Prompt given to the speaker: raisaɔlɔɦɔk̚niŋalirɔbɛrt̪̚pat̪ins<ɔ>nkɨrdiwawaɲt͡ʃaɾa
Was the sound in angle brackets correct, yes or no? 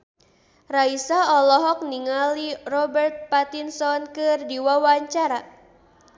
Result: yes